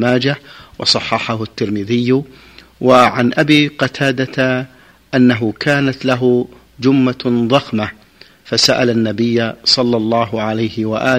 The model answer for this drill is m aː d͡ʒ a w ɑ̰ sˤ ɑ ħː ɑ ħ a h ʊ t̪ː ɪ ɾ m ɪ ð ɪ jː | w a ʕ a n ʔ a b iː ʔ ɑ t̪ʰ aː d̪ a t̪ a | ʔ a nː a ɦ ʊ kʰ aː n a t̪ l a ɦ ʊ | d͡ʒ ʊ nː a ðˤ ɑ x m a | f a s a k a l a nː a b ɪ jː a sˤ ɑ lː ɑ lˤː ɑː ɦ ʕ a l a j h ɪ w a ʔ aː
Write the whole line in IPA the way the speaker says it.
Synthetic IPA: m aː d͡ʒ a w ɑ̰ sˤ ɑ ħː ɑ ħ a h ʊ t̪ː ɪ ɾ m ɪ ð ɪ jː | w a ʕ a n ʔ a b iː q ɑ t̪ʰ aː d̪ a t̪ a | ʔ a nː a ɦ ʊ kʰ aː n a t̪ l a ɦ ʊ | d͡ʒ ʊ mː a ðˤ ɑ x m a | f a s a ʔ a l a nː a b ɪ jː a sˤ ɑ lː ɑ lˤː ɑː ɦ ʕ a l a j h ɪ w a ʔ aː